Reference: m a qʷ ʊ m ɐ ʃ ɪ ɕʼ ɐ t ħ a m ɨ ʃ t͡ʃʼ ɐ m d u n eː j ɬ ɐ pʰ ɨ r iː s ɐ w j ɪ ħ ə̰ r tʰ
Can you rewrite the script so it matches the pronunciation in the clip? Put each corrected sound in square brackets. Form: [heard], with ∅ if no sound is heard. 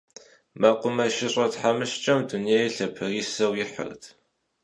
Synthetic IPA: m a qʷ ʊ m ɐ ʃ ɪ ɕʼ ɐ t ħ a m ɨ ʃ t͡ʃʼ ɐ m d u n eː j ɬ ɐ pʰ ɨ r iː s ɐ w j ɪ ħ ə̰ r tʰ

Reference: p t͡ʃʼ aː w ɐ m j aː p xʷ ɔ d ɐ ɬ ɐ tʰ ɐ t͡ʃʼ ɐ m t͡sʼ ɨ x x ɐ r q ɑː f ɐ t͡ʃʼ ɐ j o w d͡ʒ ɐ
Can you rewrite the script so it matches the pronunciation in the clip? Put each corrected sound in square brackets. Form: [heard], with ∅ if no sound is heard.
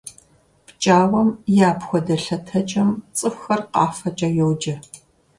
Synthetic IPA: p t͡ʃʼ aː w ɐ m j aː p xʷ ɔ d ɐ ɬ ɐ tʰ ɐ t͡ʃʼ ɐ m t͡sʼ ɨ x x ɐ r q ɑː f ɐ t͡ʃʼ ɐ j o w d͡ʒ ɐ

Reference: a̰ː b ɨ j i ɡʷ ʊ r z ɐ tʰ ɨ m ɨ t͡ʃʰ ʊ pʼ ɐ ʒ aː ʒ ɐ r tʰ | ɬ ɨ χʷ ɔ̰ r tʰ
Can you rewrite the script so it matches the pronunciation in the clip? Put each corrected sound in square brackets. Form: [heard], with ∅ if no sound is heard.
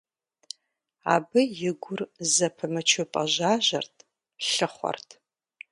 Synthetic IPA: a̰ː b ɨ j [ɪ] ɡʷ ʊ r z ɐ [pʰ] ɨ m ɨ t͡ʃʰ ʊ pʼ ɐ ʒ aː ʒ ɐ r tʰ | ɬ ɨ χʷ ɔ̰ r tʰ

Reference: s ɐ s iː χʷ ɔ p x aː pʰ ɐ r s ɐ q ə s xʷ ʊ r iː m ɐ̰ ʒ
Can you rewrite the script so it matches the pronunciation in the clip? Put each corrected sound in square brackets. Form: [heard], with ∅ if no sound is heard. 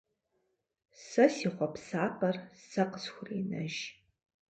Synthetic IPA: s ɐ s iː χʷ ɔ p [s] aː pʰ ɐ r s ɐ q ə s xʷ ʊ r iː [n] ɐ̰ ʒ

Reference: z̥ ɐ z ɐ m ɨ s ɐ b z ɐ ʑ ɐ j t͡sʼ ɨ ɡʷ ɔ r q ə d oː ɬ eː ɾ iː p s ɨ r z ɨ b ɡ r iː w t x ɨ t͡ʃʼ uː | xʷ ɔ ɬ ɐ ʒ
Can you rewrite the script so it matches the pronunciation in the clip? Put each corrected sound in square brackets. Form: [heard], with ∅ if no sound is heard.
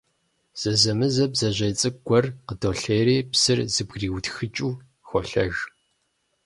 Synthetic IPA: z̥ ɐ z ɐ m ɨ [z] ɐ b z ɐ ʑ ɐ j t͡sʼ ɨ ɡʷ ɔ r q ə d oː ɬ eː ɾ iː p s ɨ r z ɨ b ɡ r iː w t x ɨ t͡ʃʼ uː | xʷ ɔ ɬ ɐ ʒ

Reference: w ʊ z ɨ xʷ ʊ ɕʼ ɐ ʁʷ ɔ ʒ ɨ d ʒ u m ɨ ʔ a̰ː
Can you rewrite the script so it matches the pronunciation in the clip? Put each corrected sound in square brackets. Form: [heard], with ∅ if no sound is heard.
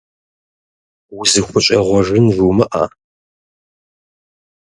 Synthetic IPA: w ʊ z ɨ xʷ ʊ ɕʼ ɐ ʁʷ ɔ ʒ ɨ [n] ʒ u m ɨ ʔ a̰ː

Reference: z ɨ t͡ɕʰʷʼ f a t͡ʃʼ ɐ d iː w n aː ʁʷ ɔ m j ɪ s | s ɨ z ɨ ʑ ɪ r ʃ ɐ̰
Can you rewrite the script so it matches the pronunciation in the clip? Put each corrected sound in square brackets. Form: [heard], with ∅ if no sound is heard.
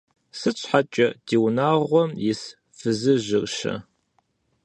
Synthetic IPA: [s] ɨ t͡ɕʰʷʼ [ħ] a t͡ʃʼ ɐ d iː w n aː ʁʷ ɔ m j ɪ s | [f] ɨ z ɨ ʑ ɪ r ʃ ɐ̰

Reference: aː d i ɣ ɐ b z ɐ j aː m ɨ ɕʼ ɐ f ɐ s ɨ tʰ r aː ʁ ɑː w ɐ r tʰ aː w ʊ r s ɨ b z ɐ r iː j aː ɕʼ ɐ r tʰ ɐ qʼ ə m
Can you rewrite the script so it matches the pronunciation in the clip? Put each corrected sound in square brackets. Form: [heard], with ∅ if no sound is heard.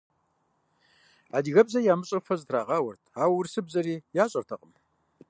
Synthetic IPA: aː d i ɣ ɐ b z ɐ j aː m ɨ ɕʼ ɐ f ɐ [z] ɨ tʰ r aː ʁ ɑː w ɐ r tʰ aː w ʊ r s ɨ b z ɐ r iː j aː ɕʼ ɐ r tʰ ɐ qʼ ə m

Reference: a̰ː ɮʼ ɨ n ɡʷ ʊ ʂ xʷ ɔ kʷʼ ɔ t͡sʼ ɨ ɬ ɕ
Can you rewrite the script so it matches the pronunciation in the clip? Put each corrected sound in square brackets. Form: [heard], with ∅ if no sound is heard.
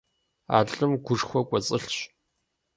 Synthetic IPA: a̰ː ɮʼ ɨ [m] ɡʷ ʊ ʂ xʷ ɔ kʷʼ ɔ t͡sʼ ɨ ɬ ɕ

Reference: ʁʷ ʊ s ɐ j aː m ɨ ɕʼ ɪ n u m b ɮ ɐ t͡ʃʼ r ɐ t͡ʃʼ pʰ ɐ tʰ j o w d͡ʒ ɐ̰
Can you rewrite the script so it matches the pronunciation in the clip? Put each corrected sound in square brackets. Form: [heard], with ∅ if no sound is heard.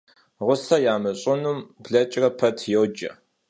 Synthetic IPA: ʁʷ ʊ s ɐ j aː m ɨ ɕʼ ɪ n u m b ɮ ɐ t͡ʃʼ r ɐ [∅] pʰ ɐ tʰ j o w d͡ʒ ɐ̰

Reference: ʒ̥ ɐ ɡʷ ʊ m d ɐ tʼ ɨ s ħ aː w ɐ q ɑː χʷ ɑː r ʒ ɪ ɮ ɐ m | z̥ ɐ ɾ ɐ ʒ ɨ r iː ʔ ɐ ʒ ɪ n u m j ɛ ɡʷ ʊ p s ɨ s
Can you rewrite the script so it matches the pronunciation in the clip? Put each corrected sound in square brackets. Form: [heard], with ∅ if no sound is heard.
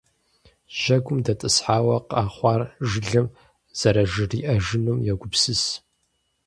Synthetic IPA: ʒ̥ ɐ ɡʷ ʊ m d ɐ tʼ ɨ s ħ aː w ɐ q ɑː χʷ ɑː r ʒ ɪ ɮ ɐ m | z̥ ɐ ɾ ɐ ʒ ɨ r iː ʔ ɐ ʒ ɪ n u m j ɛ ɡʷ ʊ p s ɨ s

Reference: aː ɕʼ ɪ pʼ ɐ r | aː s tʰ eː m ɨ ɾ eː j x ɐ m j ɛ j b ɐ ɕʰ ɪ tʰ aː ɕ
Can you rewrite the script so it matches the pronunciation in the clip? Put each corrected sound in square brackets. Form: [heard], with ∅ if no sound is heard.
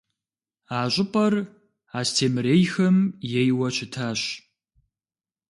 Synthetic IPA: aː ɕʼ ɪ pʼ ɐ r | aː s tʰ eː m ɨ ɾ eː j x ɐ m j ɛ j [w] ɐ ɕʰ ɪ tʰ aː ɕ

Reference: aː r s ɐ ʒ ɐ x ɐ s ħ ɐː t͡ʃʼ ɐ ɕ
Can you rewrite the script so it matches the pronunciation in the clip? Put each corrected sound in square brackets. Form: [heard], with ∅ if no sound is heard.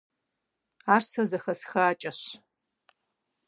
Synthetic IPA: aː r s ɐ [z] ɐ x ɐ s [x] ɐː t͡ʃʼ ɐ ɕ

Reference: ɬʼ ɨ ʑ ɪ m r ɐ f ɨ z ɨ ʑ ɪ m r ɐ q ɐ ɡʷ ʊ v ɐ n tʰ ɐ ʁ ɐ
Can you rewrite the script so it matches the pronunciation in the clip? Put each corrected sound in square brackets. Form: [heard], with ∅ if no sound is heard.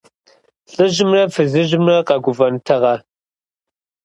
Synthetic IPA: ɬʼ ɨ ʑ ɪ m r ɐ f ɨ z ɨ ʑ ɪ m r ɐ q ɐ ɡʷ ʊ v ɐ n tʰ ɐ ʁ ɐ

